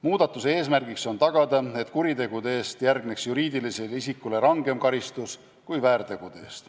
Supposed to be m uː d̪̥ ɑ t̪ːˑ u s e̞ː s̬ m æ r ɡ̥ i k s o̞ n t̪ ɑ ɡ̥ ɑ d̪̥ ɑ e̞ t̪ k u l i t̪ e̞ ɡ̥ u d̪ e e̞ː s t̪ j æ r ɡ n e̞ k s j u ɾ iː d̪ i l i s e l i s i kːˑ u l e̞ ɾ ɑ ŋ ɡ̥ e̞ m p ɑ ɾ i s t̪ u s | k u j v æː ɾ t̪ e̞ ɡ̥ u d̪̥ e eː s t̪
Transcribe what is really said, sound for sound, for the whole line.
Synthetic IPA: m uː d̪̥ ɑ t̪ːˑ u s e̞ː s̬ m æ r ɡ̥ i k s o̞ n t̪ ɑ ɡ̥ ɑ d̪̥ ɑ e̞ t̪ k u ɾ i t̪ e̞ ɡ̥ u d̪ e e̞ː s t̪ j æ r ɡ n e̞ k s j u ɾ iː d̪ i l i s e l i s i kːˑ u l e̞ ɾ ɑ ŋ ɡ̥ e̞ m k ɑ ɾ i s t̪ u s | k u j v æː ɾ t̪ e̞ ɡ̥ u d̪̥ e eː s t̪